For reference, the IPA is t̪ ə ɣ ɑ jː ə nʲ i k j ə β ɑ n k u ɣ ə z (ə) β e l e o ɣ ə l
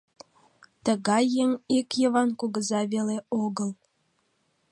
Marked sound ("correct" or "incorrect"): incorrect